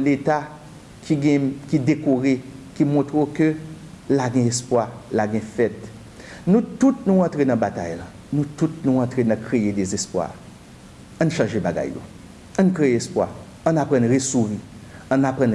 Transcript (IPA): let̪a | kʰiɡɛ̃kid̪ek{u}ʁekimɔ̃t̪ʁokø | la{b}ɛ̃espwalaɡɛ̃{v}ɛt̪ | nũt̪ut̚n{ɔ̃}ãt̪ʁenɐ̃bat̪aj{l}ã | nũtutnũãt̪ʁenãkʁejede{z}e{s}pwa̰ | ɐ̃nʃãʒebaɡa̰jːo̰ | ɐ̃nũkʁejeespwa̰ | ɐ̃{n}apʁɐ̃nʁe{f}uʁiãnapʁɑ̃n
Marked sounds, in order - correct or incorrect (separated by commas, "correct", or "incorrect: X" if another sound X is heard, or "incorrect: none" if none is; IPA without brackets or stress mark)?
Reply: incorrect: o, incorrect: ɡ, incorrect: f, incorrect: ũ, correct, correct, correct, correct, incorrect: s